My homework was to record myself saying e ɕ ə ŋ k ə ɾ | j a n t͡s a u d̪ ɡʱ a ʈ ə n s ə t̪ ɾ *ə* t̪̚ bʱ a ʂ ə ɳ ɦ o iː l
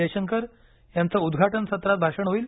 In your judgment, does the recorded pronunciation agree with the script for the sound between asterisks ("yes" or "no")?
no